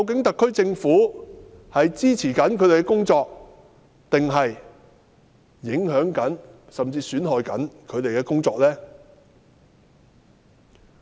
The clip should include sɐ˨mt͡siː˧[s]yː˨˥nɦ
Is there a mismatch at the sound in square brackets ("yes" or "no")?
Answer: no